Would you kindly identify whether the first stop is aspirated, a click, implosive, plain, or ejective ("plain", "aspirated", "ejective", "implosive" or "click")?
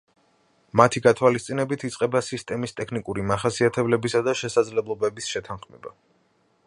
aspirated